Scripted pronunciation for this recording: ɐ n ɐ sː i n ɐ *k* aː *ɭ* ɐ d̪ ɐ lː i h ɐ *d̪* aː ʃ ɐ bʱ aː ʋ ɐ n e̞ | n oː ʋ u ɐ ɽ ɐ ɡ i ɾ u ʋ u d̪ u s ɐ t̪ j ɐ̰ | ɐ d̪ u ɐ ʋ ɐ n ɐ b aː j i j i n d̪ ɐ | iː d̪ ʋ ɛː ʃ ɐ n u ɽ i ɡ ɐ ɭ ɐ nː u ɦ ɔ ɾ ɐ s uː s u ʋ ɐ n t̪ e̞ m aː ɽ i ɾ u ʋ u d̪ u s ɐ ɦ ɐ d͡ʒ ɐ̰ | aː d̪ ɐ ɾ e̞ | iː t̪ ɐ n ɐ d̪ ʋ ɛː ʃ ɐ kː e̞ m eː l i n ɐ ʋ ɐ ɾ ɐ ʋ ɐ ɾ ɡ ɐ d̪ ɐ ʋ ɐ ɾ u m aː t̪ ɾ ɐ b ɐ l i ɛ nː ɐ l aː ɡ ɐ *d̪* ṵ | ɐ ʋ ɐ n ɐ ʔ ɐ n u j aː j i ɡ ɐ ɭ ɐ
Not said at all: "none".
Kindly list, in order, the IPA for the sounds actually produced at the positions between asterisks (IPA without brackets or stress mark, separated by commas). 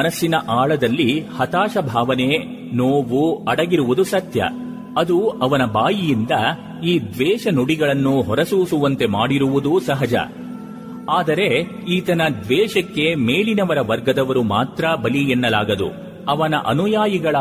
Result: ʔ, ɭ, t̪, d̪